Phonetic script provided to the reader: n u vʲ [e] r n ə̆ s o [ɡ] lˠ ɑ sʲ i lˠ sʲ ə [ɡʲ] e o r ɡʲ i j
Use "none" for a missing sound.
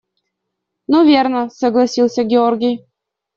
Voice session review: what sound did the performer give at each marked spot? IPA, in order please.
e, ɡ, ɡʲ

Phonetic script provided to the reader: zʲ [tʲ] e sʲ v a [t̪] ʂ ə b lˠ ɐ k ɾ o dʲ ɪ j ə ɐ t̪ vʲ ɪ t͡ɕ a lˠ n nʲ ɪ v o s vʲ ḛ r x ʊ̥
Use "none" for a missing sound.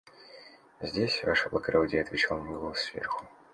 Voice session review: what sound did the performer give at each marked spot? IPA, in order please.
dʲ, none

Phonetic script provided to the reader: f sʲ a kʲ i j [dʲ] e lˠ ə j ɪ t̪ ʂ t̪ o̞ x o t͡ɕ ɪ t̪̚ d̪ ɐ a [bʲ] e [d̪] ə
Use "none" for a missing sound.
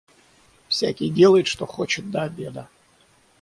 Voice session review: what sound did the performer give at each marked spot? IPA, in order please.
dʲ, bʲ, d̪

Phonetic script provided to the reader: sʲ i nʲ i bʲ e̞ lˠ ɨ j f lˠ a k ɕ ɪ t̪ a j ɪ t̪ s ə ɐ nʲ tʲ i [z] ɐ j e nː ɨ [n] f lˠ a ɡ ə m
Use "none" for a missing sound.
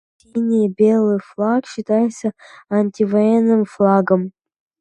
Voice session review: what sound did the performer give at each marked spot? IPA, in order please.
v, m

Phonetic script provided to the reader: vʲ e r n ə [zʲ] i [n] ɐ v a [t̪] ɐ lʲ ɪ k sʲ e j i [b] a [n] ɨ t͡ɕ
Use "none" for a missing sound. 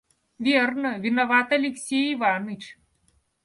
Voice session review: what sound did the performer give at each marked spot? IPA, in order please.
vʲ, n, t̪, v, n

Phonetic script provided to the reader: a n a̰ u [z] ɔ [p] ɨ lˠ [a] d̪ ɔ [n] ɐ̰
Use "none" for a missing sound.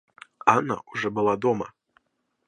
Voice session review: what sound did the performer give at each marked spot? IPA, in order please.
ʐ, b, a, m

